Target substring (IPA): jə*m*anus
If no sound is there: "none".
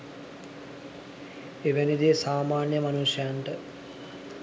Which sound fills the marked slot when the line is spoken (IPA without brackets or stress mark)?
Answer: m